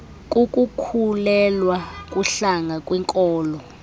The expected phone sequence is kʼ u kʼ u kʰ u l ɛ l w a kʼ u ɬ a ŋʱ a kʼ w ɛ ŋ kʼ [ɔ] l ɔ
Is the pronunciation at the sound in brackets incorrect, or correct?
incorrect